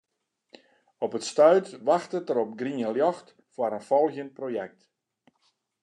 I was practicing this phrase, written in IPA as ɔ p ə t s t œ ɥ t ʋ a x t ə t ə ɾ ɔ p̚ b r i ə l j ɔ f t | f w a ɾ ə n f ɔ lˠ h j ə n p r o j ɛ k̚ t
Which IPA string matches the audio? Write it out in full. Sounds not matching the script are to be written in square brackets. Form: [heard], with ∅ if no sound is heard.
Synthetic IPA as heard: ɔ p ə t s t œ ɥ t ʋ a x t ə t ə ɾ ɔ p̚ [ɡ] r i ə l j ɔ [x] t | f w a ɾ ə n f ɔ lˠ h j ə n p r o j ɛ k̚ t